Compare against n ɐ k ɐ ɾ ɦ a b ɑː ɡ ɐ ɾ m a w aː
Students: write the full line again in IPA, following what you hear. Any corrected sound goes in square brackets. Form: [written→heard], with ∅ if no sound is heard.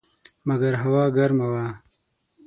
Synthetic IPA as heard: [n→m] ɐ [k→ɡ] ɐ ɾ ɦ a [b→w] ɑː ɡ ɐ ɾ m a w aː

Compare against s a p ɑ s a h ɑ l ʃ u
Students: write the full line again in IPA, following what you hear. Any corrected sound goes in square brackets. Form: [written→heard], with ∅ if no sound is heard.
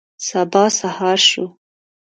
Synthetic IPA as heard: s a [p→b] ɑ s a h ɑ [l→ɾ] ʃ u

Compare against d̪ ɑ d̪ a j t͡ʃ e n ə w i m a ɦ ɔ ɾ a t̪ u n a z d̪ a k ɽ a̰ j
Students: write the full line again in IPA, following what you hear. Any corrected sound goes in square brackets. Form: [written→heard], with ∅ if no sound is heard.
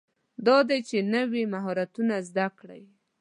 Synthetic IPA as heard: d̪ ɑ d̪ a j t͡ʃ e n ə w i m a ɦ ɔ ɾ a t̪ u n a z d̪ a k ɽ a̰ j

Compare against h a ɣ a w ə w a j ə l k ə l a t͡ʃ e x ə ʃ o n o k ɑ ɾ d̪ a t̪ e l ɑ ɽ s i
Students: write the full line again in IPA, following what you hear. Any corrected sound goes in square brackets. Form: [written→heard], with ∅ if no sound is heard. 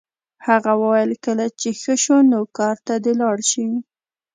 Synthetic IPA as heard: h a ɣ a w ə w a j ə l k ə l a t͡ʃ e x ə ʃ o n o k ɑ ɾ [d̪→t̪] a [t̪→d̪] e l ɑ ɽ [s→ʃ] i

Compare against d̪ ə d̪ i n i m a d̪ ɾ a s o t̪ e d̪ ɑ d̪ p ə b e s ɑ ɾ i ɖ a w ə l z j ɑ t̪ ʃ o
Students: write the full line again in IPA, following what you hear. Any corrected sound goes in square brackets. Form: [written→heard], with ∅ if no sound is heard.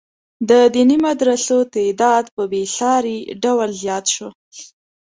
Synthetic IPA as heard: d̪ ə d̪ i n i m a d̪ ɾ a s o t̪ e d̪ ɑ d̪ p ə b e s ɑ ɾ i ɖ a w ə l z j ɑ t̪ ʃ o

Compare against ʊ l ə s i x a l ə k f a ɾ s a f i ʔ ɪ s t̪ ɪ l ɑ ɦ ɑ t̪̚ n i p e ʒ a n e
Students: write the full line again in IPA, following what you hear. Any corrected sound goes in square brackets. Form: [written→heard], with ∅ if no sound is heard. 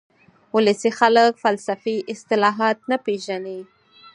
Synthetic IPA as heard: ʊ l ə s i x a l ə k f a [ɾ→l] s a f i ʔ ɪ s t̪ ɪ l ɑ ɦ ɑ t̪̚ n [i→a] p e ʒ a n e

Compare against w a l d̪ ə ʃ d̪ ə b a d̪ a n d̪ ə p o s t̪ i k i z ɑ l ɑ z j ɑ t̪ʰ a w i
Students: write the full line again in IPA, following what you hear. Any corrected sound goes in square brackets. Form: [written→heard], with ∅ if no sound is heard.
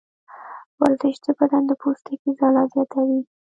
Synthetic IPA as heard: w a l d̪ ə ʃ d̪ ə b a d̪ a n d̪ ə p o s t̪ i k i z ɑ l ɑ z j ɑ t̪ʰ a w i

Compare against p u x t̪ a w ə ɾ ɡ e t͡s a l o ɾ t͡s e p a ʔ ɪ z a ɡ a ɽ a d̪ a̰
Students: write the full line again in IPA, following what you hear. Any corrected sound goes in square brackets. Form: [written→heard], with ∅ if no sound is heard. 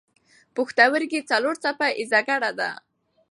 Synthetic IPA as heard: p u x t̪ a w ə ɾ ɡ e t͡s a l o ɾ t͡s [e→a] p a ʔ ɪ z a ɡ a ɽ a d̪ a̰

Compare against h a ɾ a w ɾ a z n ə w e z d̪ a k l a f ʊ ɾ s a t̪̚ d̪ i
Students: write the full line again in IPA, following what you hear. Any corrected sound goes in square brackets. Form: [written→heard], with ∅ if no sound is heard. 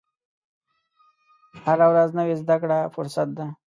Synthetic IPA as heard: h a ɾ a w ɾ a z n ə w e z d̪ a k [l→ɽ] a f ʊ ɾ s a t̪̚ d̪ [i→a]

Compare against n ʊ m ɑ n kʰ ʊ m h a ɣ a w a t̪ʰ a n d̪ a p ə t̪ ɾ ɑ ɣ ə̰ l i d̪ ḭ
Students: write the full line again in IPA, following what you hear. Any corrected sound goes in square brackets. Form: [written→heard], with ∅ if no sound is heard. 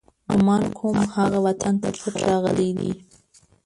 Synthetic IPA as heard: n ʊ m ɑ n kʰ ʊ m h a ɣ a w a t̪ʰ a n [d̪→t̪] a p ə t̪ ɾ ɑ ɣ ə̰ l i d̪ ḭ

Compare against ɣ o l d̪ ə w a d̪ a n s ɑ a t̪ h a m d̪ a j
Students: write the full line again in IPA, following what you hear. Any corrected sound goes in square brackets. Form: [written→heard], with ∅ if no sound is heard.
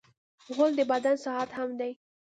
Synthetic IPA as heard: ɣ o l d̪ ə [w→b] a d̪ a n s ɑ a t̪ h a m d̪ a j

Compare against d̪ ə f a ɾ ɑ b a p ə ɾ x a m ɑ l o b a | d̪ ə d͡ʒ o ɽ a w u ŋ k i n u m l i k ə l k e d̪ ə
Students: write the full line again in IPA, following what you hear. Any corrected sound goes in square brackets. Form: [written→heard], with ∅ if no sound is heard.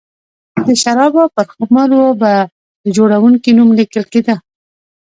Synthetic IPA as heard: d̪ ə [f→ʃ] a ɾ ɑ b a p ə ɾ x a m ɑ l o b a | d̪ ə d͡ʒ o ɽ a w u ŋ k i n u m l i k ə l k e d̪ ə

